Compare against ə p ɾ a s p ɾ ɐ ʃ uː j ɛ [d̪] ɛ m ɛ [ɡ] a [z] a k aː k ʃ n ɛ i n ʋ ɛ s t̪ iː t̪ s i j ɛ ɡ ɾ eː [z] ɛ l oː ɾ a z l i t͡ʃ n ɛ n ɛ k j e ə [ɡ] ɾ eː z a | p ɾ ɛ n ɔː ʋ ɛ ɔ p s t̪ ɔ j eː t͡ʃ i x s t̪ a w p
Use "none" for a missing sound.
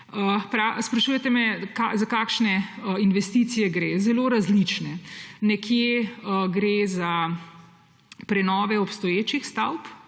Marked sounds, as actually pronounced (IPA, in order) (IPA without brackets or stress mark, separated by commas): t̪, k, z, z, ɡ